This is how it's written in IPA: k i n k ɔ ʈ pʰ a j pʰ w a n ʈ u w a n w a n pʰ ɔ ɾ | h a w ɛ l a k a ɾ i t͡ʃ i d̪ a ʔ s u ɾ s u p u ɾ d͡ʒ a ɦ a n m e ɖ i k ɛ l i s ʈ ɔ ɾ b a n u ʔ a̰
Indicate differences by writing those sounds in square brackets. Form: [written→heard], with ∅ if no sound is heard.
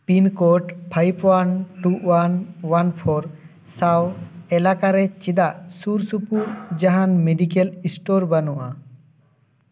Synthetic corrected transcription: [k→p] i n k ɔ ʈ pʰ a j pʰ w a n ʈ u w a n w a n pʰ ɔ ɾ | [h→s] a w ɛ l a k a ɾ [i→ɛ] t͡ʃ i d̪ a ʔ s u ɾ s u p u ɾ d͡ʒ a ɦ a n m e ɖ i k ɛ l i s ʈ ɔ ɾ b a n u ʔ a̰